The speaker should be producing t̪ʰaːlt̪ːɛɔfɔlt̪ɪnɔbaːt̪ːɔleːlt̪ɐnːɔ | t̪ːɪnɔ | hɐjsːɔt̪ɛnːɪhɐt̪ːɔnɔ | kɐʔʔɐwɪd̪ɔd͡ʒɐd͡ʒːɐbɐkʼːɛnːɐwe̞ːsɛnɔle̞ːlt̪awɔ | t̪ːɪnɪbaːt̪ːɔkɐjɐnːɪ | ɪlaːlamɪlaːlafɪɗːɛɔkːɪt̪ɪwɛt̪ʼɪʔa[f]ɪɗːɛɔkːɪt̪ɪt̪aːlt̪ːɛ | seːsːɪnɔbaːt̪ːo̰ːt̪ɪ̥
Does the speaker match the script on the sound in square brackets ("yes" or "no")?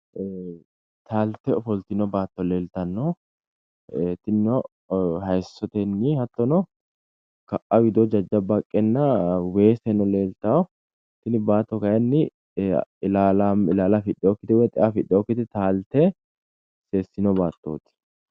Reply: yes